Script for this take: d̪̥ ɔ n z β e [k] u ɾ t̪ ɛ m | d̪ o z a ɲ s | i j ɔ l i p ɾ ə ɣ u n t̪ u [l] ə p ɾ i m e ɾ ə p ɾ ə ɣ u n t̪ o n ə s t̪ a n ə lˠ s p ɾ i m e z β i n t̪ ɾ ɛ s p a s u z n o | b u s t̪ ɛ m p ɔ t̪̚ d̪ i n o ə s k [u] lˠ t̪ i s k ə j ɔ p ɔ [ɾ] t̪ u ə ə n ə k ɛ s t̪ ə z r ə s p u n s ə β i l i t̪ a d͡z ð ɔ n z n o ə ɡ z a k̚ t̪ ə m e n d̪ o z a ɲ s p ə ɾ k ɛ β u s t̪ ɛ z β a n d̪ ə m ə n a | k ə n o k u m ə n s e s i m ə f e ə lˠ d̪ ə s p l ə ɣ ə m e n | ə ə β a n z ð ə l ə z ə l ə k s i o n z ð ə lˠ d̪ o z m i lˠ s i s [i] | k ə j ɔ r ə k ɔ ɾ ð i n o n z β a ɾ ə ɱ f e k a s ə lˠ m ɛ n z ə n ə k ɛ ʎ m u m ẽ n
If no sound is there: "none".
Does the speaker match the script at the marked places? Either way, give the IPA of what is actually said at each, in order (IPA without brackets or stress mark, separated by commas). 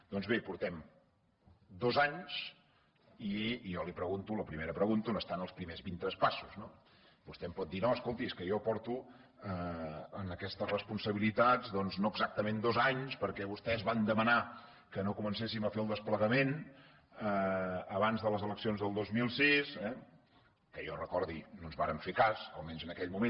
p, l, o, ɾ, ɛ